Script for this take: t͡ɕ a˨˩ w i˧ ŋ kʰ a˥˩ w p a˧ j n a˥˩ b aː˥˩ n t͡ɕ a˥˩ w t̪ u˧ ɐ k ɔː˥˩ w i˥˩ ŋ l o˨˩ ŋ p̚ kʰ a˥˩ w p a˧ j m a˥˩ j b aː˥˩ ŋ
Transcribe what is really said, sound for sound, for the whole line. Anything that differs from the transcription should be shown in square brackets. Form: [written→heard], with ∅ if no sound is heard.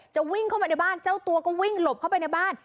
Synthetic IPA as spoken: t͡ɕ a˨˩ w [i˧→i˥˩] ŋ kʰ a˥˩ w p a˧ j n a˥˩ b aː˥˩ n t͡ɕ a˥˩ w t̪ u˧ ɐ k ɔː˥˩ w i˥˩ ŋ l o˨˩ [ŋ→∅] p̚ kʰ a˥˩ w p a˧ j [m→n] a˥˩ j b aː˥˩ [ŋ→n]